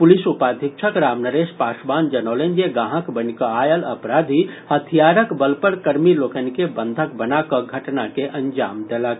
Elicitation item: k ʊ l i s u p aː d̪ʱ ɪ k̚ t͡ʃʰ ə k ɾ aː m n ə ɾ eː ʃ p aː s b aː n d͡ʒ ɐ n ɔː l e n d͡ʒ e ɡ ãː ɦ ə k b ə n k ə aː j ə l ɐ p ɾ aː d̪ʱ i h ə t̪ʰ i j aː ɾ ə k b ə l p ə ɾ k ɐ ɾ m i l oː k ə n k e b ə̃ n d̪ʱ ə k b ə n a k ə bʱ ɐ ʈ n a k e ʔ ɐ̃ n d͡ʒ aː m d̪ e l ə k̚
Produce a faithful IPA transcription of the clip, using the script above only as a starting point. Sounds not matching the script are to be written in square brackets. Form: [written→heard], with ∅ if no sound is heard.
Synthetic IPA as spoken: [k→p] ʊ l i s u p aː d̪ʱ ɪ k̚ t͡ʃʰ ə k ɾ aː m n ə ɾ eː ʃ p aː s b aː n d͡ʒ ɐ n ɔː l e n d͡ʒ e ɡ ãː ɦ ə k b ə n k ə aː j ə l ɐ p ɾ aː d̪ʱ i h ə t̪ʰ i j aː ɾ ə k b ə l p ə ɾ k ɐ ɾ m i l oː k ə n k e b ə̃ n d̪ʱ ə k b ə n a k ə [bʱ→ɡʱ] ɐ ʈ n a k e ʔ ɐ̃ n d͡ʒ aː m d̪ e l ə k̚

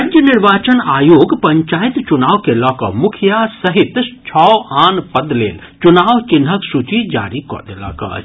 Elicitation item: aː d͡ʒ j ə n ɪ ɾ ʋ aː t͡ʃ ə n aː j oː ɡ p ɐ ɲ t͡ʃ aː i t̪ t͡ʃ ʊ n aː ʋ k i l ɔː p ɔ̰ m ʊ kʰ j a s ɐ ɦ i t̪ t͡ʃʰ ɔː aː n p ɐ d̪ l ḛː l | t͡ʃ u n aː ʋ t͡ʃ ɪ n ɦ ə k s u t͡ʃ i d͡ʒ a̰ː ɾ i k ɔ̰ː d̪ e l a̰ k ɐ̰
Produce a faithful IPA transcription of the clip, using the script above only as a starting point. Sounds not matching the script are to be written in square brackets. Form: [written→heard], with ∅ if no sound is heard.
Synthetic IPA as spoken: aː d͡ʒ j ə n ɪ ɾ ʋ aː t͡ʃ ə n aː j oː ɡ p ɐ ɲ t͡ʃ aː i t̪ t͡ʃ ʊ n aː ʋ k [i→e] l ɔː [p→k] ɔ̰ m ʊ kʰ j a s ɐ ɦ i t̪ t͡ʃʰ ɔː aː n p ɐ d̪ l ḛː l | t͡ʃ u n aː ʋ t͡ʃ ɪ n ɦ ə k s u t͡ʃ i d͡ʒ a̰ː ɾ i k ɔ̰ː d̪ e l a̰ k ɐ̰

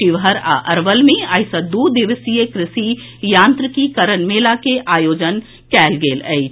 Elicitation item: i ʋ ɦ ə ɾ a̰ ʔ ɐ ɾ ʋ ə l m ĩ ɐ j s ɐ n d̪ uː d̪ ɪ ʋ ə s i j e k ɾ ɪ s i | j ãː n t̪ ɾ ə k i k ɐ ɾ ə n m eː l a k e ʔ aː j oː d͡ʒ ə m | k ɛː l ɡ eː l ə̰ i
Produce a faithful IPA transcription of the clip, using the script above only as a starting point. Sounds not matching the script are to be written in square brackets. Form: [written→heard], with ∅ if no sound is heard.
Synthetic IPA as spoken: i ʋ ɦ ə ɾ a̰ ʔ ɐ ɾ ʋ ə l m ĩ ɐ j s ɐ [n→∅] d̪ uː d̪ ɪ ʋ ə s i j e k ɾ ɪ s i | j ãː n t̪ ɾ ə k i k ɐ ɾ ə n m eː l a k e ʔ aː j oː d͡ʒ ə [m→n] | k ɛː l ɡ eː l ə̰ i

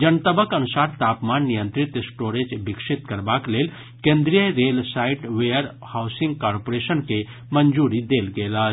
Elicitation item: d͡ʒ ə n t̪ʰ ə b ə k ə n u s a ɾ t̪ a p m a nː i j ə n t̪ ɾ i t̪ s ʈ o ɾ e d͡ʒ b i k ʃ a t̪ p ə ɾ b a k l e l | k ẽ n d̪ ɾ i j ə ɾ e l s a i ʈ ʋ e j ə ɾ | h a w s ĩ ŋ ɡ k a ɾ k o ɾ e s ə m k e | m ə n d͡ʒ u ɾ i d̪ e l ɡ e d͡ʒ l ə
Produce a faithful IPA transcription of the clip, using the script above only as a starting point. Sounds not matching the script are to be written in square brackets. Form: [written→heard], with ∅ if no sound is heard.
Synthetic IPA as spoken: d͡ʒ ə n [t̪ʰ→t̪] ə b ə k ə n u s a ɾ t̪ a p m a nː i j ə n t̪ ɾ i t̪ s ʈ o ɾ e d͡ʒ b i k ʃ [a→i] t̪ [p→k] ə ɾ b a k l e l | k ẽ n d̪ ɾ i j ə ɾ e l s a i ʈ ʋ e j ə ɾ | h a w s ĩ ŋ ɡ k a ɾ [k→p] o ɾ e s ə [m→n] k e | m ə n d͡ʒ u ɾ i d̪ e l ɡ e [d͡ʒ→∅] l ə

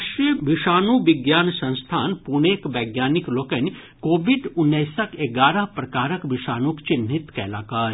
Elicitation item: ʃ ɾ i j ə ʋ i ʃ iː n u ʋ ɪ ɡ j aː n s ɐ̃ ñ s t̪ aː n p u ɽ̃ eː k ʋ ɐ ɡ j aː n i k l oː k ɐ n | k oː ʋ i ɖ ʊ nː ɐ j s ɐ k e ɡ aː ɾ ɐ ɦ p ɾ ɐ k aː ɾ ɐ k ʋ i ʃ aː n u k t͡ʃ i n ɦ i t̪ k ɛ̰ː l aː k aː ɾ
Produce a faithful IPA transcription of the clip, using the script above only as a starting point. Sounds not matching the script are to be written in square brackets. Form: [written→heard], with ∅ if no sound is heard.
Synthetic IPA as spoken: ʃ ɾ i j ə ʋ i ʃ [iː→aː] n u ʋ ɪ ɡ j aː n s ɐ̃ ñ s [t̪→t̪ʰ] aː n p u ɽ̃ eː k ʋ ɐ ɡ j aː n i k l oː k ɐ n | k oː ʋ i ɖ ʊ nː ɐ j s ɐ k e ɡ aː ɾ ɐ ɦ p ɾ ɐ k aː ɾ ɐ k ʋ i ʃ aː n u k t͡ʃ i n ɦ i t̪ k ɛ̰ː l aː k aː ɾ

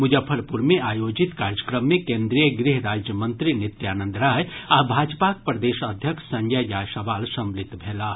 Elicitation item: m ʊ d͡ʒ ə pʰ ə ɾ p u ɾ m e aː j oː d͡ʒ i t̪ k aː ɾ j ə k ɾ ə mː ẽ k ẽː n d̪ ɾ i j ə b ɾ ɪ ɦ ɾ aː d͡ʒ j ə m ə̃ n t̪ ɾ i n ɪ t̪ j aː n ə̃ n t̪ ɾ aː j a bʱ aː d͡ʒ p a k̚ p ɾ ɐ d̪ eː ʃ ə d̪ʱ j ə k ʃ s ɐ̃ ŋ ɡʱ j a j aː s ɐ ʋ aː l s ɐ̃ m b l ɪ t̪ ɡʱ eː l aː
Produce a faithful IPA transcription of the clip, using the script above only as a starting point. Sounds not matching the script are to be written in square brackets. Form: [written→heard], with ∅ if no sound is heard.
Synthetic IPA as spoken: m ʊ d͡ʒ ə pʰ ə ɾ p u ɾ m e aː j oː d͡ʒ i t̪ k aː ɾ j ə k ɾ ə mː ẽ k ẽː n d̪ ɾ i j ə [b→ɡ] ɾ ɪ ɦ ɾ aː d͡ʒ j ə m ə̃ n t̪ ɾ i n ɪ t̪ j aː n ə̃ n [t̪→d̪] ɾ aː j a bʱ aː d͡ʒ p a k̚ p ɾ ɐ d̪ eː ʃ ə d̪ʱ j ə k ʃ s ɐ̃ ŋ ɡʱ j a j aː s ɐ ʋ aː l s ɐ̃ m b l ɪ t̪ [ɡʱ→bʱ] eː l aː

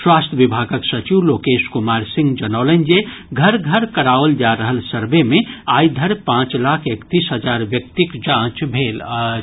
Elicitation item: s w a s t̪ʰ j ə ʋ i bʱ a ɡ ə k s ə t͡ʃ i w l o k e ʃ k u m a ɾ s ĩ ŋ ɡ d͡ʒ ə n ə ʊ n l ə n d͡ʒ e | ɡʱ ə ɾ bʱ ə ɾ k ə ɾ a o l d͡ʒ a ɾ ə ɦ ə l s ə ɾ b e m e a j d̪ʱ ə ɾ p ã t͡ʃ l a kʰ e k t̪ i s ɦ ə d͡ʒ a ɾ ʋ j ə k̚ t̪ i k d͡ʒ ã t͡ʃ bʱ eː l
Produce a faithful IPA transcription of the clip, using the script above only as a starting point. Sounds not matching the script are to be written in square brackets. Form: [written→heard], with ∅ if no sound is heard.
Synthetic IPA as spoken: s w a s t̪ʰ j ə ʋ i bʱ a ɡ ə k s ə t͡ʃ i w l o k e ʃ k u m a ɾ s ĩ ŋ ɡ d͡ʒ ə n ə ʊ [n→∅] l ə n d͡ʒ e | ɡʱ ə ɾ [bʱ→ɡʱ] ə ɾ k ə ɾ a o l d͡ʒ a ɾ ə ɦ ə l s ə ɾ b e m e a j d̪ʱ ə ɾ p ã t͡ʃ l a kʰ e k t̪ i s ɦ ə d͡ʒ a ɾ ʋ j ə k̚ t̪ i k d͡ʒ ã t͡ʃ bʱ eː l

